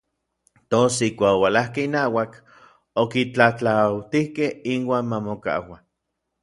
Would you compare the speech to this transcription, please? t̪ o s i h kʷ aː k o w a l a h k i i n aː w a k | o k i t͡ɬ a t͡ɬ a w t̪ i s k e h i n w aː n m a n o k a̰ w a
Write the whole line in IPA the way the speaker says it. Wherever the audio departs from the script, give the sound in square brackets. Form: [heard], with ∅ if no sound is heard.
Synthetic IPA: t̪ o s i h kʷ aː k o w a l a h k [e] i n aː w a k | o k i t͡ɬ a t͡ɬ a w t̪ i [h] k e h i n w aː n m a [m] o k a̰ w a